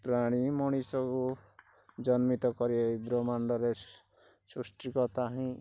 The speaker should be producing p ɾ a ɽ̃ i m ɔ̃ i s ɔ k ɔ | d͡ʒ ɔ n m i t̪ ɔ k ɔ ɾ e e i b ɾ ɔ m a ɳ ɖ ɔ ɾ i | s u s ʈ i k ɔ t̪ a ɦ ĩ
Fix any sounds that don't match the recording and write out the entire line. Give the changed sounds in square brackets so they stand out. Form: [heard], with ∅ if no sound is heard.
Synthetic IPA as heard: p ɾ a ɽ̃ i m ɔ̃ i s ɔ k [u] | d͡ʒ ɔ n m i t̪ ɔ k ɔ ɾ [i] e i b ɾ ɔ m a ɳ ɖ ɔ ɾ [e] | s u s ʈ i k ɔ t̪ a ɦ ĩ

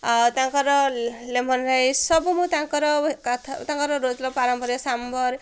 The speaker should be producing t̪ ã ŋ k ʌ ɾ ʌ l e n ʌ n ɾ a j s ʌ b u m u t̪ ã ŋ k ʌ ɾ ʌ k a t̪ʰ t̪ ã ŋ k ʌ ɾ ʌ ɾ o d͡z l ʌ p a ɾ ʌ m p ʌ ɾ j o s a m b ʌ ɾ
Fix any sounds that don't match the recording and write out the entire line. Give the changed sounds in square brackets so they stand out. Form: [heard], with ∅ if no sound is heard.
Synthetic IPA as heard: t̪ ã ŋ k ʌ ɾ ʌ l e [m] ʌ n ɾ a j s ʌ b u m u t̪ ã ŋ k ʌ ɾ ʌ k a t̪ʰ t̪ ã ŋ k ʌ ɾ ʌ ɾ o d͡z l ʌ p a ɾ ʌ m p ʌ ɾ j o s a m b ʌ ɾ

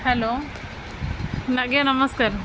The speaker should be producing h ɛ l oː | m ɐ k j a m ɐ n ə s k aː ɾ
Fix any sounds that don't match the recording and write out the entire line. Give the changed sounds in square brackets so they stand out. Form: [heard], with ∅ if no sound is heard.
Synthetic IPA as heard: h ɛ l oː | [n] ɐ [ɡ] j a [n] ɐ [m] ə s k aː ɾ

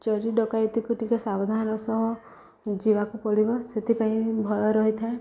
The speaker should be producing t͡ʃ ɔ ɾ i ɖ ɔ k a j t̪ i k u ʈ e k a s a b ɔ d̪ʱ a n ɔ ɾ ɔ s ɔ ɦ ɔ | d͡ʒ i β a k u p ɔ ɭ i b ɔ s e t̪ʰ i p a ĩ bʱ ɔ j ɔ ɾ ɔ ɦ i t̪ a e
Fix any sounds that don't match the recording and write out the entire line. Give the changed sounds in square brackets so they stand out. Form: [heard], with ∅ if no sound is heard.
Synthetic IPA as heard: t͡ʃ ɔ ɾ i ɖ ɔ k a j t̪ i k u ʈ [i] k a s a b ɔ d̪ʱ a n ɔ ɾ ɔ s ɔ ɦ ɔ | d͡ʒ i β a k u p ɔ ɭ i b ɔ s e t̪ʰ i p a ĩ bʱ ɔ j ɔ ɾ ɔ ɦ i [t̪ʰ] a e

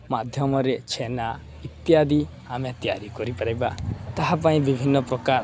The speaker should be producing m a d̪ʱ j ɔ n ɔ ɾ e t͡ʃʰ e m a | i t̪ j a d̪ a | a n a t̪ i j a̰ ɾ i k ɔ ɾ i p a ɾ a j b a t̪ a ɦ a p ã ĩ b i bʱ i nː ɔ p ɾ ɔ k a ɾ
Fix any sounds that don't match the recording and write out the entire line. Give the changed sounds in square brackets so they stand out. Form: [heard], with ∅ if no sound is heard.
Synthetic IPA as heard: m a d̪ʱ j ɔ [m] ɔ ɾ e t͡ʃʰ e [n] a | i t̪ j a d̪ [i] | a [m] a t̪ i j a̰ ɾ i k ɔ ɾ i p a ɾ a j b a t̪ a ɦ a p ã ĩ b i bʱ i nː ɔ p ɾ ɔ k a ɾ

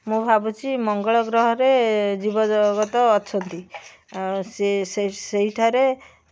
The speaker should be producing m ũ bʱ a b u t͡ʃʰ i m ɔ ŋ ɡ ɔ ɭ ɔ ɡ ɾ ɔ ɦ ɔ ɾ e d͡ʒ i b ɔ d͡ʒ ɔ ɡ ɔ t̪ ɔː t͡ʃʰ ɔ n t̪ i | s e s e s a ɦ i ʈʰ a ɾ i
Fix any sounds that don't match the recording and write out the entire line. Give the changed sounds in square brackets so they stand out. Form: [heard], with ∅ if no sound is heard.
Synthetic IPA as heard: m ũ bʱ a b u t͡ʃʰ i m ɔ ŋ ɡ ɔ ɭ ɔ ɡ ɾ ɔ ɦ ɔ ɾ e d͡ʒ i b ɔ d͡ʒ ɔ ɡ ɔ t̪ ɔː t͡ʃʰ ɔ n t̪ i | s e s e s [e] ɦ i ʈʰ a ɾ [e]

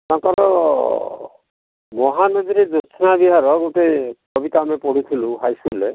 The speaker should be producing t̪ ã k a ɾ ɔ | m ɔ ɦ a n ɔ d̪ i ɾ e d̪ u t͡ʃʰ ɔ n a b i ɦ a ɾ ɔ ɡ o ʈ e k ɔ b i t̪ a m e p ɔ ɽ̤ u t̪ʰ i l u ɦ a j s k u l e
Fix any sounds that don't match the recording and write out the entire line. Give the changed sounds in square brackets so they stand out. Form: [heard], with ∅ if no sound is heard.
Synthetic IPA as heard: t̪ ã k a ɾ ɔ | m ɔ ɦ a n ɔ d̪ i ɾ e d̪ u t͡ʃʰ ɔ n a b i ɦ a ɾ ɔ ɡ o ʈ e k ɔ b i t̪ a m e p ɔ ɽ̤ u t̪ʰ i l u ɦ a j s k u l e

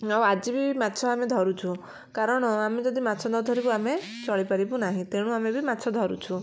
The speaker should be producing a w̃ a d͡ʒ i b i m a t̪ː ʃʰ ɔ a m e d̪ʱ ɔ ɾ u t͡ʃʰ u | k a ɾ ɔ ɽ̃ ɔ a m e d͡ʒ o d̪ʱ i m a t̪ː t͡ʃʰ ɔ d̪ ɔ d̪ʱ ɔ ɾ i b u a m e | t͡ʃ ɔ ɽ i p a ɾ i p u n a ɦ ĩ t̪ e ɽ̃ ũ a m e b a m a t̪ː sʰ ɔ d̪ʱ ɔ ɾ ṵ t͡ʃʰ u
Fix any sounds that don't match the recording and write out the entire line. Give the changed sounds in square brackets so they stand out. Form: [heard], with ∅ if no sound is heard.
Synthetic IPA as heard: a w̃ a d͡ʒ i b i m a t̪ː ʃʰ ɔ a m e d̪ʱ ɔ ɾ u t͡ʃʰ u | k a ɾ ɔ ɽ̃ ɔ a m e d͡ʒ [ɔ] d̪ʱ i m a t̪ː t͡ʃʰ ɔ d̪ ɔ d̪ʱ ɔ ɾ i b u a m e | t͡ʃ ɔ [ɭ] i p a ɾ i [b] u n a ɦ ĩ t̪ e ɽ̃ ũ a m e b [i] m a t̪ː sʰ ɔ d̪ʱ ɔ ɾ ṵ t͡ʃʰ u

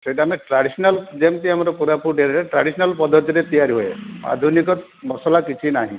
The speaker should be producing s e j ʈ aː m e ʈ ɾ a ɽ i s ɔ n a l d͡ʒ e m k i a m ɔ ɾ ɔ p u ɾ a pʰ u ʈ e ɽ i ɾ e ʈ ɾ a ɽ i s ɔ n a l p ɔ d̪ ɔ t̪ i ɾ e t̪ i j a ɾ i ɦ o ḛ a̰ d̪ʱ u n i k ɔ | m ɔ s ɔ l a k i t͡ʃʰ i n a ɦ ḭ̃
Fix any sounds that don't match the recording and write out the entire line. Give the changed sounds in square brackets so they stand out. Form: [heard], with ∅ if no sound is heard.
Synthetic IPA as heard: s e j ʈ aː m e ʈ ɾ a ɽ i s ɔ n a l d͡ʒ e m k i a m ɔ ɾ ɔ p u ɾ a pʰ u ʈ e [ɾ] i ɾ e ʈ ɾ a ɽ i s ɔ n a l p ɔ d̪ ɔ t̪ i ɾ e t̪ i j a ɾ i ɦ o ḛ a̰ d̪ʱ u n i k ɔ | m ɔ s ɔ l a k i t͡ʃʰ i n a ɦ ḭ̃

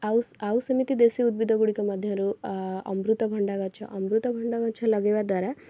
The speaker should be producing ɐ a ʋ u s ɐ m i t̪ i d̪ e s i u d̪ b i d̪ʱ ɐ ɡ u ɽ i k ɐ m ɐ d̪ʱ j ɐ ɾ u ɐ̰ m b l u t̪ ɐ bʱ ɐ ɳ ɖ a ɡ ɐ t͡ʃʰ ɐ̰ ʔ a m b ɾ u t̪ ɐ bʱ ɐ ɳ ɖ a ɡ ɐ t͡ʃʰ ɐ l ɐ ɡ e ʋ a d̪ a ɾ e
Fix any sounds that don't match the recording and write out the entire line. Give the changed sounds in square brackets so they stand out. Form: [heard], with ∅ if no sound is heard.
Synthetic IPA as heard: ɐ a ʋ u s ɐ m i t̪ i d̪ e s i u d̪ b i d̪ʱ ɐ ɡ u ɽ i k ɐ m ɐ d̪ʱ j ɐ ɾ u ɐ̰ m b [ɾ] u t̪ ɐ bʱ ɐ ɳ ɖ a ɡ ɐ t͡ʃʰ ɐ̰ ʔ [ɐ] m b ɾ u t̪ ɐ bʱ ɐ ɳ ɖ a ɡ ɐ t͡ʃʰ ɐ l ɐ ɡ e ʋ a d̪ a ɾ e

